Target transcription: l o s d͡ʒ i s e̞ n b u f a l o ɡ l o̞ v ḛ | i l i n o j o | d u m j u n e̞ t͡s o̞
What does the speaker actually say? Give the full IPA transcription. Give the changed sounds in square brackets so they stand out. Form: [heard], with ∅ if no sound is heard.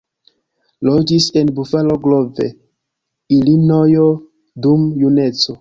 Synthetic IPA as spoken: l o [∅] d͡ʒ i s e̞ n b u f a l o ɡ l o̞ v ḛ | i l i n o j o | d u m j u n e̞ t͡s o̞